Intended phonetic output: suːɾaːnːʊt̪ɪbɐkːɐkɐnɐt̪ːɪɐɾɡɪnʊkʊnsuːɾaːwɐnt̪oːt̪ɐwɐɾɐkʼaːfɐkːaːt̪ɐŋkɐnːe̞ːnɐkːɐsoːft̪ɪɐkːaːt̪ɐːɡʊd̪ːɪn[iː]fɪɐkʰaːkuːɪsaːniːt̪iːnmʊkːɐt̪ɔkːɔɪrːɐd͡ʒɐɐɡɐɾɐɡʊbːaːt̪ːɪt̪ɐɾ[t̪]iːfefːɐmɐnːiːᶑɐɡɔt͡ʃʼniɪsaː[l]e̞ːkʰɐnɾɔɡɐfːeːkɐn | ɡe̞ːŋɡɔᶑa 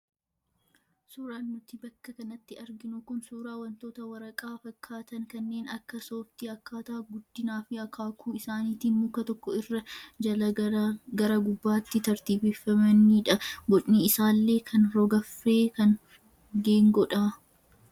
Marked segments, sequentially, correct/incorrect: incorrect, correct, incorrect

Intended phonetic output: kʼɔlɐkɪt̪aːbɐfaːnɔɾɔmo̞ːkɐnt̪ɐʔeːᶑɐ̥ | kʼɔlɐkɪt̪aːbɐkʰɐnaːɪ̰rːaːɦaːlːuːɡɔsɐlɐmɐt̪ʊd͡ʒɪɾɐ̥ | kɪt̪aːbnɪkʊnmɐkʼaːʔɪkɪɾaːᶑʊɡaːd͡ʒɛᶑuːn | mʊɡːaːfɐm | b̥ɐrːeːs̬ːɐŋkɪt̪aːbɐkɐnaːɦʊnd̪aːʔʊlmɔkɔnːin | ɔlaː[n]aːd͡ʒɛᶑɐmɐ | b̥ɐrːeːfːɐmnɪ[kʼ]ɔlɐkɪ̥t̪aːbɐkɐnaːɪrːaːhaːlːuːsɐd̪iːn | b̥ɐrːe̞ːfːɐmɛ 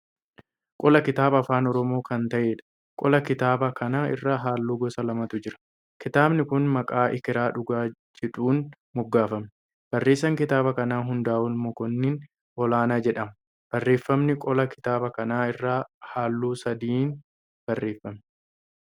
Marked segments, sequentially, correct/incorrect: correct, correct

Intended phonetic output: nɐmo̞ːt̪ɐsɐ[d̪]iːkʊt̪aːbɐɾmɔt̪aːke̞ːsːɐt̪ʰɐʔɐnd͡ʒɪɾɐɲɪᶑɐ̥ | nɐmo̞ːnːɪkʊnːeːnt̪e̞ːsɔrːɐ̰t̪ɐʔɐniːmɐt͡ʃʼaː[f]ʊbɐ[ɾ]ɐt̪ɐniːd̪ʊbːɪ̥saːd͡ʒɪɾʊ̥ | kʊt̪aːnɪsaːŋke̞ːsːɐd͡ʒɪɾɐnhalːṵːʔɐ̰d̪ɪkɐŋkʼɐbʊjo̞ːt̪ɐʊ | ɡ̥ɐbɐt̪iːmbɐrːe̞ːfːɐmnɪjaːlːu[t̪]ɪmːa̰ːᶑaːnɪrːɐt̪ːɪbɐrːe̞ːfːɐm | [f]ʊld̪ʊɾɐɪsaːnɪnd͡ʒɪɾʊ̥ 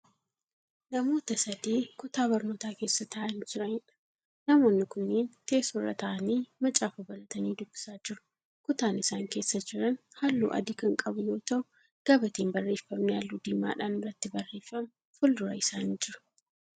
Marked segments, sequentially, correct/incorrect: correct, correct, incorrect, incorrect, correct

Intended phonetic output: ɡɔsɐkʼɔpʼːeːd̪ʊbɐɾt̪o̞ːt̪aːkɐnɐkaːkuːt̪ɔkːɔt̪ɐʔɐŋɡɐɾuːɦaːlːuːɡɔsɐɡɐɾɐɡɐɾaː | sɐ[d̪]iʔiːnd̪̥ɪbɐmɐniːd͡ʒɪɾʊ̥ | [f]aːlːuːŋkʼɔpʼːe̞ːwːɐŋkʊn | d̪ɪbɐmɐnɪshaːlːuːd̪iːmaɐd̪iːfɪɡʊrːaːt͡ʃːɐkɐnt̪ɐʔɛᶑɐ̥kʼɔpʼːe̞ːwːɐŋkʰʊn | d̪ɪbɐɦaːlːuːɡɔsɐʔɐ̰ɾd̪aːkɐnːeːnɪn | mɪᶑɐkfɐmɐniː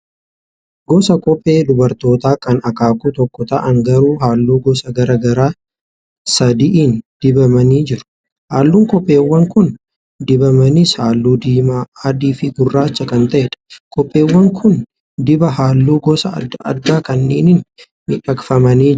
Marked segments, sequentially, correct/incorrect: correct, incorrect

